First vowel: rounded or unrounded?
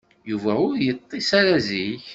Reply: rounded